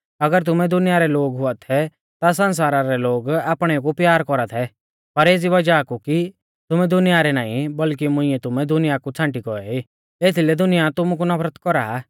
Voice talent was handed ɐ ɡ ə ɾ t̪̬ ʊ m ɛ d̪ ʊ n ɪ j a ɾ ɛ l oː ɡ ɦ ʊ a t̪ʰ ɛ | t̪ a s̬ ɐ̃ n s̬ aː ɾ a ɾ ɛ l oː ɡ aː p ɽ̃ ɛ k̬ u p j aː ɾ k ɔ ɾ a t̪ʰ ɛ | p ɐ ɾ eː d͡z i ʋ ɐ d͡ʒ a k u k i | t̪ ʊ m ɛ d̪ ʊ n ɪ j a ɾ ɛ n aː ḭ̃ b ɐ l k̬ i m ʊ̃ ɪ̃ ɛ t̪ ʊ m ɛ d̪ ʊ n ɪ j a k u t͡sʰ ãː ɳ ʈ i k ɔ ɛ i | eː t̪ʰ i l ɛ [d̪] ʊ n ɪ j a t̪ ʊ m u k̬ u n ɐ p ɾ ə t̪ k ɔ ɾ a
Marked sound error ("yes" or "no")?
no